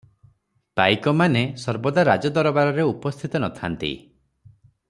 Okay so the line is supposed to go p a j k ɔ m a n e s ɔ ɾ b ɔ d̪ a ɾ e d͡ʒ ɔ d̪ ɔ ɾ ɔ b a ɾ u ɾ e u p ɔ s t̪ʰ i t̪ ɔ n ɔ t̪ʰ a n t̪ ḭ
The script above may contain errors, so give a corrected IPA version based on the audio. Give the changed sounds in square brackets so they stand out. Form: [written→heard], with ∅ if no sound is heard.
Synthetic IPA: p a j k ɔ m a n e s ɔ ɾ b ɔ d̪ a ɾ [e→a] d͡ʒ ɔ d̪ ɔ ɾ ɔ b a ɾ [u→ɔ] ɾ e u p ɔ s t̪ʰ i t̪ ɔ n ɔ t̪ʰ a n t̪ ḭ